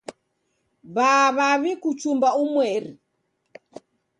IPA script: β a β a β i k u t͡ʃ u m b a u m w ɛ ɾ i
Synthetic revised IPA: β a β a β i k u t͡ʃ u m b a u m w ɛ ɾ i